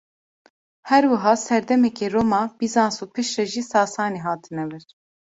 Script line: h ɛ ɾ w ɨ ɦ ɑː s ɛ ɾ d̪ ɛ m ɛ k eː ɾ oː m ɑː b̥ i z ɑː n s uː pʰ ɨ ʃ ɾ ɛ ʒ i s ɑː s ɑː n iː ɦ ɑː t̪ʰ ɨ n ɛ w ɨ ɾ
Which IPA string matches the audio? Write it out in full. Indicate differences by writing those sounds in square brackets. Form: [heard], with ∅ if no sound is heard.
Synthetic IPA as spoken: h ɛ ɾ w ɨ ɦ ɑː s ɛ ɾ d̪ ɛ m ɛ k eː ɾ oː m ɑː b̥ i z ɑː n s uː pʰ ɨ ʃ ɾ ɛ ʒ i s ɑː s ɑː n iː ɦ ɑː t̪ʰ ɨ n ɛ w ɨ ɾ

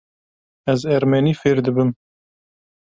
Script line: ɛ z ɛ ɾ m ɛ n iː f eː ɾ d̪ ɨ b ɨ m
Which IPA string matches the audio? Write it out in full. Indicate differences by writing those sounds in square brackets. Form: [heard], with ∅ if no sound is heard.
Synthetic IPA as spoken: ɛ z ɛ ɾ m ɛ n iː f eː ɾ d̪ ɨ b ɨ m

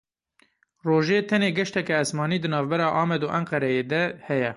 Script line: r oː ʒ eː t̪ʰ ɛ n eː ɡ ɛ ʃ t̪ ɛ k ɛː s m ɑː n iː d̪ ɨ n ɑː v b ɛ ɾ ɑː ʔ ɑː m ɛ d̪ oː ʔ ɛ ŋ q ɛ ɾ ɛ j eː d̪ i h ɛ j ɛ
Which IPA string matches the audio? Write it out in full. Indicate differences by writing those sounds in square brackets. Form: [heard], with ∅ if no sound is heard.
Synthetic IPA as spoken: r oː ʒ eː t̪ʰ ɛ n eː ɡ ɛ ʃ t̪ ɛ k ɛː s m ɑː n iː d̪ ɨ n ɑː v b ɛ ɾ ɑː ʔ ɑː m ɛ d̪ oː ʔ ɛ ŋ q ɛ ɾ ɛ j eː d̪ [ɛ] h ɛ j ɛ

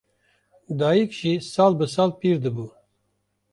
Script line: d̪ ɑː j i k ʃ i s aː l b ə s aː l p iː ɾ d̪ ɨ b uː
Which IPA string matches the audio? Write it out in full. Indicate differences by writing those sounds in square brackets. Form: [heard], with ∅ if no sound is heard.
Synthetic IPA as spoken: d̪ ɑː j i k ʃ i s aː l b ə s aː l p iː ɾ d̪ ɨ b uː

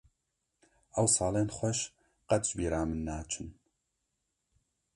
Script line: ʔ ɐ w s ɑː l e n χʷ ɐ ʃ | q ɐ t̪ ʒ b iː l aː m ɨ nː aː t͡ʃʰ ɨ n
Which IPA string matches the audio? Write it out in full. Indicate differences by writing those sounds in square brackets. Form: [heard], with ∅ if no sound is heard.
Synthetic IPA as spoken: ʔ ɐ w s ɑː l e n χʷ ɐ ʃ | q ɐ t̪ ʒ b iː [ɾ] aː m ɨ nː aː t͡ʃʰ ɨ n

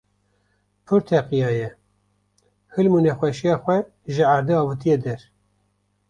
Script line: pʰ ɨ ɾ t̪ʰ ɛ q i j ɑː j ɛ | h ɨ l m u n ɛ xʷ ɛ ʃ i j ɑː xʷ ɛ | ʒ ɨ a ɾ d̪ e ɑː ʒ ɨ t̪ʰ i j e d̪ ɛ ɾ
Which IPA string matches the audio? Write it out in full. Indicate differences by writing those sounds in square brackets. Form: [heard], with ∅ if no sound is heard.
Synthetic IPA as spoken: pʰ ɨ ɾ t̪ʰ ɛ q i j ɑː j ɛ | h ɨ l m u n ɛ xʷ ɛ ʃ i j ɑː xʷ ɛ | ʒ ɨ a ɾ d̪ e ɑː [v] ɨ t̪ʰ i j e d̪ ɛ ɾ

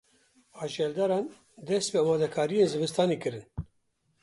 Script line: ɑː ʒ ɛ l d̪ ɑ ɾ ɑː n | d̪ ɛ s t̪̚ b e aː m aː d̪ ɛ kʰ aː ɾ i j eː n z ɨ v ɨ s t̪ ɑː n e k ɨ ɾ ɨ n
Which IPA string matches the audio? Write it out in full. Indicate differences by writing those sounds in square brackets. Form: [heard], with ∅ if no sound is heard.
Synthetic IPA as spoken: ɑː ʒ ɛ l d̪ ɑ ɾ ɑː n | d̪ ɛ s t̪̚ [p] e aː m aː d̪ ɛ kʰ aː ɾ i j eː n z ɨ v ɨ s t̪ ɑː n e k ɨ ɾ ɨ n

